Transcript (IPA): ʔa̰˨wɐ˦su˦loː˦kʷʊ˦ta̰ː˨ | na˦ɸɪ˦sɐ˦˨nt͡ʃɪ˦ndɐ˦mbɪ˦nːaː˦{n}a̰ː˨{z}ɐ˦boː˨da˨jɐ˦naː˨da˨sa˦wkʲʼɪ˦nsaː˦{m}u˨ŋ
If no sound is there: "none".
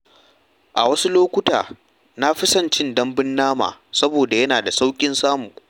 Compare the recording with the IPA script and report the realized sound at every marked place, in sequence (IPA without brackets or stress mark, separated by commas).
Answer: m, s, m